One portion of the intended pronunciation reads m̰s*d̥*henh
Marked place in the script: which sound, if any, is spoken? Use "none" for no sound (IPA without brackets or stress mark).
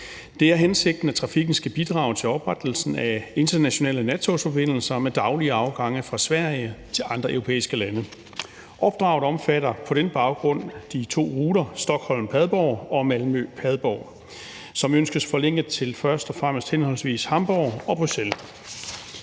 d̥